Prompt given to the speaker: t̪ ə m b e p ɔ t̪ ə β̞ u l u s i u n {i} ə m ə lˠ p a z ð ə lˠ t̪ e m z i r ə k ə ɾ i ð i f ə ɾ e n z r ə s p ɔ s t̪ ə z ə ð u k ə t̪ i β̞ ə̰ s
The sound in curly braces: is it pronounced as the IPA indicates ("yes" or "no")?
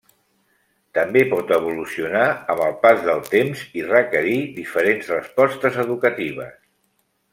no